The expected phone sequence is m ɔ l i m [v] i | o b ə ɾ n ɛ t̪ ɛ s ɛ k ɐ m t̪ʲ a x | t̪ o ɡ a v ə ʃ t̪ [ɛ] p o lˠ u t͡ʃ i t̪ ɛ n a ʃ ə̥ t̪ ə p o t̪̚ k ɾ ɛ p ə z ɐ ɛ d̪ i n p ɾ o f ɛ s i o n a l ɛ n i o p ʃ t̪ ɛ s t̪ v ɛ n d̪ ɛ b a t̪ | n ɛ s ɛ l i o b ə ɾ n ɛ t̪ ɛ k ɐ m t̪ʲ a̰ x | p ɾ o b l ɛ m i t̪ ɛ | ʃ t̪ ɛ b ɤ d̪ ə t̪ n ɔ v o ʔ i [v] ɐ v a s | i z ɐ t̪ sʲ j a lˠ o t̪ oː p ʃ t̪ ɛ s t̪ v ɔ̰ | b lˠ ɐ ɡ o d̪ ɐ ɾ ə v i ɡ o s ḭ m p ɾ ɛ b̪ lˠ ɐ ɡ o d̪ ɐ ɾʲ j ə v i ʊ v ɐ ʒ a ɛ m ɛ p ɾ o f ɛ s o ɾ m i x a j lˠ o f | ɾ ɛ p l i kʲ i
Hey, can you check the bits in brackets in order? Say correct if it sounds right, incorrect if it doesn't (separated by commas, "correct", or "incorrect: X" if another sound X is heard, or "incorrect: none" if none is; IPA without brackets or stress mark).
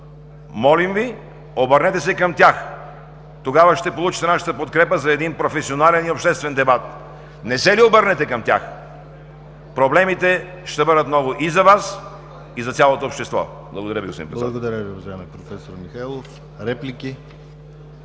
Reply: correct, correct, incorrect: z